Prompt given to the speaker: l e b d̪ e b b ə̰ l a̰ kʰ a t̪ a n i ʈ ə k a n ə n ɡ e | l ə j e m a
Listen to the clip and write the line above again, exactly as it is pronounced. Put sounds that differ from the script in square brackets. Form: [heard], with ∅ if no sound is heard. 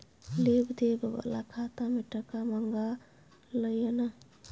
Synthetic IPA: l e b d̪ e b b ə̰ l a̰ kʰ a t̪ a [m] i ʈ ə k a [m] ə [ŋ] ɡ [a] | l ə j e [n] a